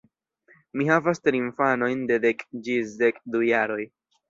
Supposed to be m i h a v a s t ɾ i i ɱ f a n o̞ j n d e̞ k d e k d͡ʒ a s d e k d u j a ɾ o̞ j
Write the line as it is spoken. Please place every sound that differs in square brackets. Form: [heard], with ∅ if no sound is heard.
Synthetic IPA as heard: m i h a v a s t ɾ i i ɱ f a n o̞ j n d e̞ [∅] d e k d͡ʒ [i] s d e k d u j a ɾ o̞ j